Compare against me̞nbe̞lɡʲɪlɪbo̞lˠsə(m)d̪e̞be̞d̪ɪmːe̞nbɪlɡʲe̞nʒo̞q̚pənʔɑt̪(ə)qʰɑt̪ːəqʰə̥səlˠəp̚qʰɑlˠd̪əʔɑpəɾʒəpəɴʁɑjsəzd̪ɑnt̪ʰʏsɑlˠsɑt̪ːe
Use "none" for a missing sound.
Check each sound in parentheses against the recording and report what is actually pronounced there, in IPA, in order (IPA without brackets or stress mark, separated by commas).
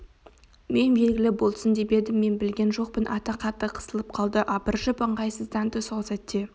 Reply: n, ɑ